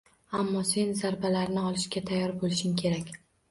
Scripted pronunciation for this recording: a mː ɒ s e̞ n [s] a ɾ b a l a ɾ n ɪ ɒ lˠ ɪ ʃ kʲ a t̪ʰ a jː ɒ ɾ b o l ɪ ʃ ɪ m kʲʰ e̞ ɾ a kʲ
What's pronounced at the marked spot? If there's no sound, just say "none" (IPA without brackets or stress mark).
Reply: z